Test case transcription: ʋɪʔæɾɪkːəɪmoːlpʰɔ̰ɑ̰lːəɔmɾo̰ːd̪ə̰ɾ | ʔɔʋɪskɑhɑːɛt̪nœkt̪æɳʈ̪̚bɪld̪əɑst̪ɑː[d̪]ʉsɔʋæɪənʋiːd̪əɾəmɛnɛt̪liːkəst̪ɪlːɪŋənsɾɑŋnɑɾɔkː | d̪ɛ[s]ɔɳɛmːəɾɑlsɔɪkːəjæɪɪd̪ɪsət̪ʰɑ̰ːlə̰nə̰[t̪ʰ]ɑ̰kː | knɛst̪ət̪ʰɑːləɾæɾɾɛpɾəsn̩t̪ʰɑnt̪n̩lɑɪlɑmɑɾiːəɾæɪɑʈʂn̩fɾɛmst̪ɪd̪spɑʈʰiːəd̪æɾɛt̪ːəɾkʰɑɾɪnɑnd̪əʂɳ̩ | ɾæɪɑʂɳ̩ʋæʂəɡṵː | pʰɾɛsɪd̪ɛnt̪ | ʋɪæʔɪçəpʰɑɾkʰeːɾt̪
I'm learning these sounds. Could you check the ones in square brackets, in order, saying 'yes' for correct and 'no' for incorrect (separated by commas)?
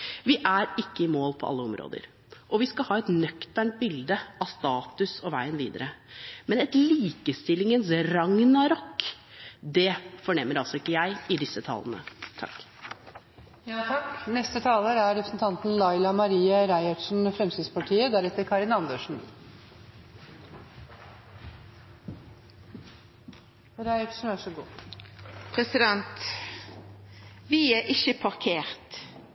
no, no, yes